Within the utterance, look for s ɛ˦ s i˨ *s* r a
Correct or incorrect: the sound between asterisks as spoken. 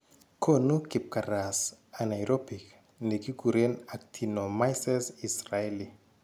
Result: correct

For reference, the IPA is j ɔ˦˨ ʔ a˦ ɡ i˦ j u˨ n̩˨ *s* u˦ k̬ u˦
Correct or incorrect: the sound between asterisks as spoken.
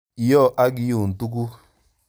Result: incorrect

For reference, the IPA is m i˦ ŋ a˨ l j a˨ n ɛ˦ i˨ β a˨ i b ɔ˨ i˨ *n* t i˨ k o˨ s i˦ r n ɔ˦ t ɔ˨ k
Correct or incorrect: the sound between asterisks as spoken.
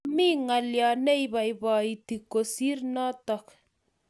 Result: incorrect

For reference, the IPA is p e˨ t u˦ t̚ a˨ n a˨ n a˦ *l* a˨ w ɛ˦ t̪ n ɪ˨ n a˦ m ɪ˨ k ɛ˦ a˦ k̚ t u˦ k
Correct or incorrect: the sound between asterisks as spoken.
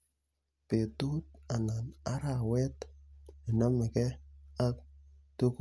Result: incorrect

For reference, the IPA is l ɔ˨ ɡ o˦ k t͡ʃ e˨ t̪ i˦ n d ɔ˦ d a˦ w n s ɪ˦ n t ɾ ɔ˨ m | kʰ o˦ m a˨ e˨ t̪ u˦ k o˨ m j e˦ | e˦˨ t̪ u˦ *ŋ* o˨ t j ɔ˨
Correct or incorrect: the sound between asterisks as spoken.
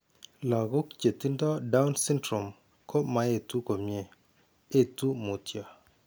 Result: incorrect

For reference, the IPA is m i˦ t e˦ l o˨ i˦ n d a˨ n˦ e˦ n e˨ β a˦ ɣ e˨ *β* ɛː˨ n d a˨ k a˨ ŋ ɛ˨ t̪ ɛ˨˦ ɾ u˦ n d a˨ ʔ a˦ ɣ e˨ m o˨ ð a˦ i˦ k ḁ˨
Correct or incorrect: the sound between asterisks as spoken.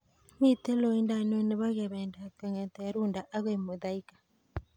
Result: correct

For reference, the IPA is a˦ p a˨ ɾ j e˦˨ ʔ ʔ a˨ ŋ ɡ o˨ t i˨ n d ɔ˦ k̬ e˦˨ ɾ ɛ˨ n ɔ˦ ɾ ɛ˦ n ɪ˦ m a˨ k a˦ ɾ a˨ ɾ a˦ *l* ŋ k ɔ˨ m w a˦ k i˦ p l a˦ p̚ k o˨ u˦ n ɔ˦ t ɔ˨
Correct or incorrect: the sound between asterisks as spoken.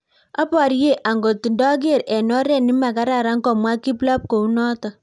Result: incorrect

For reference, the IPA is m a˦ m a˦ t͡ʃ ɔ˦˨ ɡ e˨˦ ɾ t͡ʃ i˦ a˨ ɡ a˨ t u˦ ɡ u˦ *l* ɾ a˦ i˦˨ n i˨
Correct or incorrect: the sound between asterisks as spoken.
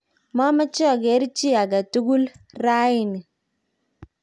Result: correct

